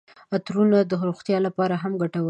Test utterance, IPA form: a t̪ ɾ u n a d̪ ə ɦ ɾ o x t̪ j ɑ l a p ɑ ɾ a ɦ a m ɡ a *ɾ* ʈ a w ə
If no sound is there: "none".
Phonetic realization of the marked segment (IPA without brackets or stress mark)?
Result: none